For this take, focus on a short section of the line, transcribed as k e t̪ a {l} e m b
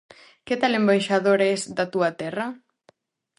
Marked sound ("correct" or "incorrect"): correct